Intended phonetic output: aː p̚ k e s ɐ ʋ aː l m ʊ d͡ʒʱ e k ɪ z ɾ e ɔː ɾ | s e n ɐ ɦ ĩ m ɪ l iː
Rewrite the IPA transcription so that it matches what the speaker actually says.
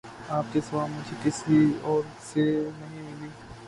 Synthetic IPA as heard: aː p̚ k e s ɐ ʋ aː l m ʊ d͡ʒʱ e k ɪ s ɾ i ɔː ɾ | s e n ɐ ɦ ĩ m ɪ l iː